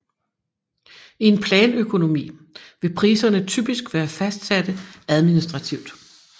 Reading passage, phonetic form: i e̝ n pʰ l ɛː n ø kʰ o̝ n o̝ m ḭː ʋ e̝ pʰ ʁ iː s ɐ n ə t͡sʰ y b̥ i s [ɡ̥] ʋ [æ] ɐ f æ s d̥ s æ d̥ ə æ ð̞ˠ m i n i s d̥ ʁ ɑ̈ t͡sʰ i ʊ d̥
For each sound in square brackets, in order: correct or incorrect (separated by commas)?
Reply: correct, incorrect